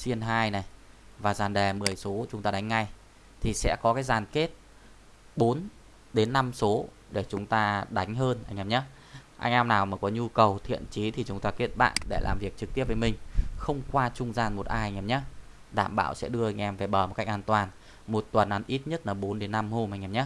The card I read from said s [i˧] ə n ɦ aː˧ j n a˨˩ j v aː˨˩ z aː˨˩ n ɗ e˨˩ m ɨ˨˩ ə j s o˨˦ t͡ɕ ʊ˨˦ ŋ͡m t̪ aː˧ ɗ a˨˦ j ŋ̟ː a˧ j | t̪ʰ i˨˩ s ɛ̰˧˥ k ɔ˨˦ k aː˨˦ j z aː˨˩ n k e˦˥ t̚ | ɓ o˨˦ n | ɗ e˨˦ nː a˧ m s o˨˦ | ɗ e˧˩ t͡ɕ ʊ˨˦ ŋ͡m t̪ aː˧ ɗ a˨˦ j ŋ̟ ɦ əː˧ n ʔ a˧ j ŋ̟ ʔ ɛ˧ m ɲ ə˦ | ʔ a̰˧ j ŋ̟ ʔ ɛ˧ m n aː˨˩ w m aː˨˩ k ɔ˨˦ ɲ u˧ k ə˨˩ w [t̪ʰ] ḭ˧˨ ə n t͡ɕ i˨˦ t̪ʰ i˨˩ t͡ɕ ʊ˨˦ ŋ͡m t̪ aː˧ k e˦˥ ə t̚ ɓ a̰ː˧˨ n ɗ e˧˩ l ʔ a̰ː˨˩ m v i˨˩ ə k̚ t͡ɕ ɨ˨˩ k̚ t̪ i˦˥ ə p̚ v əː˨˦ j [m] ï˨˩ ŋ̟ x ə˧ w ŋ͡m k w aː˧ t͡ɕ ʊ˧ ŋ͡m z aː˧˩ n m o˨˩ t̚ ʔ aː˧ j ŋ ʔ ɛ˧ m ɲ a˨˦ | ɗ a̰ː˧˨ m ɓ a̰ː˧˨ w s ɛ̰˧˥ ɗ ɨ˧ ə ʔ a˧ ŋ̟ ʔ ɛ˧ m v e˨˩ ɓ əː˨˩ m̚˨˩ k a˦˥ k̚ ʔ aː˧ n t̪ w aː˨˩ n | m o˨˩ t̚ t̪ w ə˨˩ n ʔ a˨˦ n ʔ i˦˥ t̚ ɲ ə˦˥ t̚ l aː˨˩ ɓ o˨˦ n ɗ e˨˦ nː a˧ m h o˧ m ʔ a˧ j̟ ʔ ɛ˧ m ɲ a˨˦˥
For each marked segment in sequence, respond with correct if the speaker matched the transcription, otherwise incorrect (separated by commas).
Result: correct, correct, correct